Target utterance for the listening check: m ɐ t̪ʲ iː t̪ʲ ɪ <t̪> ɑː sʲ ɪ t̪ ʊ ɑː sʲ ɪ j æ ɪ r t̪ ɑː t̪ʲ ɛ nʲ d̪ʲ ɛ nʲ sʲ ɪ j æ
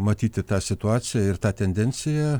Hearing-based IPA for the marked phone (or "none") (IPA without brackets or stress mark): t̪